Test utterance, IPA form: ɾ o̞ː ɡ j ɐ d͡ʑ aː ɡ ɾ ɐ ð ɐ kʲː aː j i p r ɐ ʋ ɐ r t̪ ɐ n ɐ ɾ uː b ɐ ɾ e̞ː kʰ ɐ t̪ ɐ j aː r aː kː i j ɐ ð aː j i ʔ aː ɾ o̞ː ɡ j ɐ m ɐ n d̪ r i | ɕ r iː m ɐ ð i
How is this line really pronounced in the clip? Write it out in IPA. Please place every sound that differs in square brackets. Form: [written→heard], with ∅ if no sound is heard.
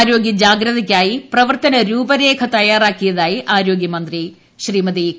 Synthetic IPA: ɾ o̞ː ɡ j ɐ d͡ʑ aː ɡ ɾ ɐ ð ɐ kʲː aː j i p r ɐ ʋ ɐ r t̪ ɐ n ɐ ɾ uː b ɐ ɾ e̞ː kʰ ɐ t̪ ɐ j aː r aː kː i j ɐ ð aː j i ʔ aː ɾ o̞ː ɡ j ɐ m ɐ n d̪ r i | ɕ r iː m ɐ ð i